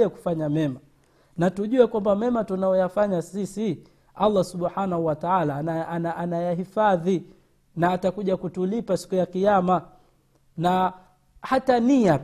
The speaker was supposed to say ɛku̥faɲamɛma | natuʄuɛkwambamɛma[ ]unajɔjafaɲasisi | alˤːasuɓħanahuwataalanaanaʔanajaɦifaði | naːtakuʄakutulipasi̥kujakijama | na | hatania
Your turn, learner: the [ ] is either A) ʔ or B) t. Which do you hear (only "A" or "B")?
B